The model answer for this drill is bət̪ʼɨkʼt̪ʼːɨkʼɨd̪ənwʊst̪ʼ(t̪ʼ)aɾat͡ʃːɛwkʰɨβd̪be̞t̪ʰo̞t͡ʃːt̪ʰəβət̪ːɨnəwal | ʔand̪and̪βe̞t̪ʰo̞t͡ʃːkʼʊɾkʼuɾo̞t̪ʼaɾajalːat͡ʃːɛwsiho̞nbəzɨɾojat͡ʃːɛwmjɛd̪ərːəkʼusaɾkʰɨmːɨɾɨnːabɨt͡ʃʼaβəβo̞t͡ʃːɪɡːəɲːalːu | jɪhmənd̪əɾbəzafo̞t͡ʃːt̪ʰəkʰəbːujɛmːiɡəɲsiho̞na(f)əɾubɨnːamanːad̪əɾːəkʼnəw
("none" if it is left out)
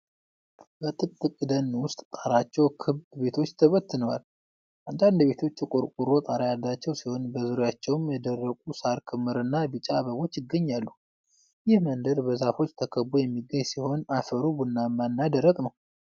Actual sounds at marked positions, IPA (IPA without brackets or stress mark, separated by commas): t̪ʼ, f